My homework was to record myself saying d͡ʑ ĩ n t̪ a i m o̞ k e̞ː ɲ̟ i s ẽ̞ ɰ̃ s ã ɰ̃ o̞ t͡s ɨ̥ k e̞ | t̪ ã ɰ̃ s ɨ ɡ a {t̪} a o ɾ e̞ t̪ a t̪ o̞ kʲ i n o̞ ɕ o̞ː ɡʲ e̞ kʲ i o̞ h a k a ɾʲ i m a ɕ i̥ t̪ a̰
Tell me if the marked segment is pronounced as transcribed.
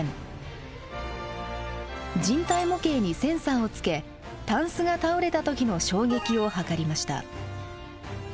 yes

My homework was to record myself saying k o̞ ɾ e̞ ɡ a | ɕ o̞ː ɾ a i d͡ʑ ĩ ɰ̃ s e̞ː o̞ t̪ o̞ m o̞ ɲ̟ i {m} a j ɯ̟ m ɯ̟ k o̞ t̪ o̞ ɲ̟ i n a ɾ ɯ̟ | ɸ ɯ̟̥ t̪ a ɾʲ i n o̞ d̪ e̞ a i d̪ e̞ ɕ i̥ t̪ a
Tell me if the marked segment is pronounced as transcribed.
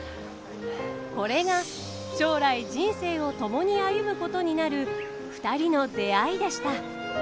no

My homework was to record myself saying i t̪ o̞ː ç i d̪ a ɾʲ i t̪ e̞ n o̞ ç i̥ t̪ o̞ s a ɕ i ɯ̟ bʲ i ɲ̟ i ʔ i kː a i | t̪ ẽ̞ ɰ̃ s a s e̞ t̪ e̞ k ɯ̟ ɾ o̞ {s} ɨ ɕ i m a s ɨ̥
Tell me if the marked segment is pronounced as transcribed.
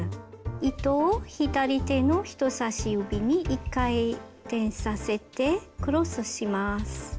yes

